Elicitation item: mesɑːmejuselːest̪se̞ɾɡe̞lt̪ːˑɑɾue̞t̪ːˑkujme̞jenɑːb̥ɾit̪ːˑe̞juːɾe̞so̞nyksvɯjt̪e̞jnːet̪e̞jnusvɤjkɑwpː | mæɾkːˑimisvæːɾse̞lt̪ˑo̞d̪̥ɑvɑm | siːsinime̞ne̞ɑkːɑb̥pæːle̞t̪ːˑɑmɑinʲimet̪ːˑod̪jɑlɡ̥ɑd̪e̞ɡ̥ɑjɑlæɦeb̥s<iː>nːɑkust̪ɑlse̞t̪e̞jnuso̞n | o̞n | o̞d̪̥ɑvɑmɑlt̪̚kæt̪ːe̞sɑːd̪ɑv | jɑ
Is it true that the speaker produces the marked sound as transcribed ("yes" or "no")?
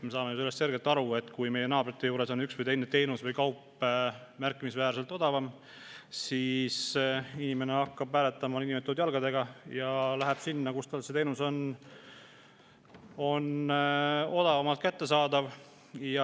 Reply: no